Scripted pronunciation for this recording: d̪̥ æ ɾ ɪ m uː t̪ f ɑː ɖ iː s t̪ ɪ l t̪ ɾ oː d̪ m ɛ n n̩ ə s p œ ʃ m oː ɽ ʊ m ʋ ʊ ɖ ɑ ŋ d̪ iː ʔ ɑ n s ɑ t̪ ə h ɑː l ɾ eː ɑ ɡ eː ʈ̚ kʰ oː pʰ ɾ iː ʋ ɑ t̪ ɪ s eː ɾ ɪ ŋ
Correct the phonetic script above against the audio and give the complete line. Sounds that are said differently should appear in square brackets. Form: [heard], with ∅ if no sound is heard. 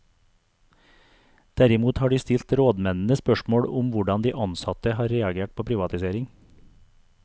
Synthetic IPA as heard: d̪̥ æ ɾ ɪ m uː t̪ [h] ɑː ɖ iː s t̪ ɪ l t̪ ɾ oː d̪ m ɛ n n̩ ə s p œ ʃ m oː ɽ ʊ m ʋ ʊ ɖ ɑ [n] d̪ iː ʔ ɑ n s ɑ t̪ ə h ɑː [ɾ] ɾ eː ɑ ɡ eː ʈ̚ [pʰ] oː pʰ ɾ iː ʋ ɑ t̪ ɪ s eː ɾ ɪ ŋ